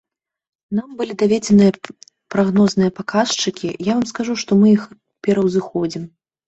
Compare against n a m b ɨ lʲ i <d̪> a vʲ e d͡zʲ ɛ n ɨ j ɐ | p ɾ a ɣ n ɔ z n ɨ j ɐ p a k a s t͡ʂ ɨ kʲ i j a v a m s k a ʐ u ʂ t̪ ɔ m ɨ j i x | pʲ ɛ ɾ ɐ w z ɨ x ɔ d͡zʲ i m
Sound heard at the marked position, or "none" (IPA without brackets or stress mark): d̪